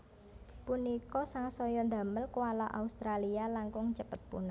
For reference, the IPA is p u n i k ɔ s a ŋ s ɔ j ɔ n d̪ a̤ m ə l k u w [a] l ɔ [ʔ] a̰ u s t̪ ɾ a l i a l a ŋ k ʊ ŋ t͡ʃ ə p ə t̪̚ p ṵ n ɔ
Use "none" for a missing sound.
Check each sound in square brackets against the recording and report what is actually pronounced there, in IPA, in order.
a, ʔ

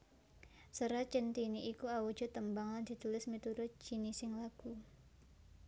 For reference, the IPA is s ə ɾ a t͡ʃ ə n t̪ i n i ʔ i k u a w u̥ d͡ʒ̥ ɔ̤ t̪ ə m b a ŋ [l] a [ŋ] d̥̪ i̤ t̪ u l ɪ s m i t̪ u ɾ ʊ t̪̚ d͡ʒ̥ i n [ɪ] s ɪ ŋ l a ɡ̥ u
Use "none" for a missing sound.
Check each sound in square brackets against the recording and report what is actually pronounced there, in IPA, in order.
l, n, i

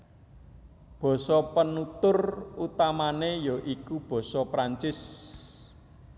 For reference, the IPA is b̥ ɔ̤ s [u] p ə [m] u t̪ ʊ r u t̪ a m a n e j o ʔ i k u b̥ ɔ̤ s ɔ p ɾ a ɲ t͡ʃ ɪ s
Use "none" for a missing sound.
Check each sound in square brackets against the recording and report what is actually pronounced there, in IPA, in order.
ɔ, n

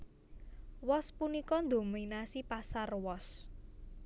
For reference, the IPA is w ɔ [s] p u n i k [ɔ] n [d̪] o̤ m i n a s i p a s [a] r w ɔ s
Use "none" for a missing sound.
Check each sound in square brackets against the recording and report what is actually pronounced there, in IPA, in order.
s, ɔ, d̪, a

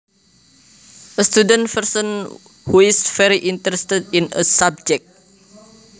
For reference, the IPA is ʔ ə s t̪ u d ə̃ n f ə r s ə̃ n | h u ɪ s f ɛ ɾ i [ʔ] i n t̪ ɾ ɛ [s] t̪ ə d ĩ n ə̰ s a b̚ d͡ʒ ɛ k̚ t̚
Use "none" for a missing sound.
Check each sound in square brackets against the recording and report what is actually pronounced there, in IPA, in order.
ʔ, s

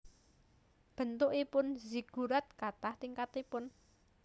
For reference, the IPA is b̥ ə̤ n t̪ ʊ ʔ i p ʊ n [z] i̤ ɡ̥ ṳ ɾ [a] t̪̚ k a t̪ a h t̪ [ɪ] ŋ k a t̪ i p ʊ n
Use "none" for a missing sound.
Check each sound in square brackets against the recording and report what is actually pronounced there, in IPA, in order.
z, a, i

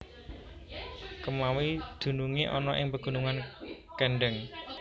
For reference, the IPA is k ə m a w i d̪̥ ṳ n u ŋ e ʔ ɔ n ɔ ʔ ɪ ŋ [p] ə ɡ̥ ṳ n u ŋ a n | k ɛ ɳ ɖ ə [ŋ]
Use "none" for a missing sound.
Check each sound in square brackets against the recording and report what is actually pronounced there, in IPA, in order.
p, ŋ

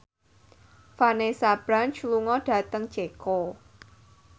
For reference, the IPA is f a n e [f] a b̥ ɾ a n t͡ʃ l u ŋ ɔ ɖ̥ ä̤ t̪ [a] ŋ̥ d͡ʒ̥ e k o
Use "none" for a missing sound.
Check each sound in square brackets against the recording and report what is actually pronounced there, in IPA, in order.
s, ə

